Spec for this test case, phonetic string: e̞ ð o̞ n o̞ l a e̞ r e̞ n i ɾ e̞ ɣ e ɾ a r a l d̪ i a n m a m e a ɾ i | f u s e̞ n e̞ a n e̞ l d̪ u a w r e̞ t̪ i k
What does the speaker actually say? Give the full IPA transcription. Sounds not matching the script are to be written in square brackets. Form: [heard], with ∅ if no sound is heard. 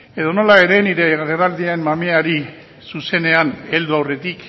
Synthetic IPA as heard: e̞ ð o̞ n o̞ l a e̞ [ɾ] e̞ n i ɾ e̞ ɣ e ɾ [e] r a l d̪ i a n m a m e a ɾ i | [s] u s e̞ n e̞ a n e̞ l d̪ u a w r e̞ t̪ i k